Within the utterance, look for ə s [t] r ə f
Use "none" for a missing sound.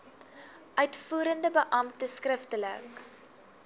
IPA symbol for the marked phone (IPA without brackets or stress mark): k